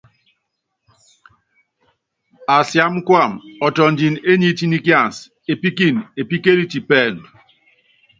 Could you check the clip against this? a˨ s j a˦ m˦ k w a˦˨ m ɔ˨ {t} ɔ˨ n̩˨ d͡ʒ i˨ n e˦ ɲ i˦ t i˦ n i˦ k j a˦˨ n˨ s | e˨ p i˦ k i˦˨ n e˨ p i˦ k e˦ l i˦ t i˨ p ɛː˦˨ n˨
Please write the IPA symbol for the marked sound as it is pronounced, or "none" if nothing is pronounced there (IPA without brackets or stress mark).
t